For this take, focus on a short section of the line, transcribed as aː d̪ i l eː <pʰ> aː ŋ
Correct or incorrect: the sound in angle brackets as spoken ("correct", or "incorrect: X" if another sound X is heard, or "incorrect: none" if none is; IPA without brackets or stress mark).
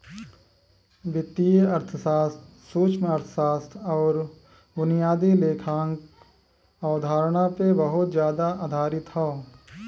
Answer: incorrect: kʰ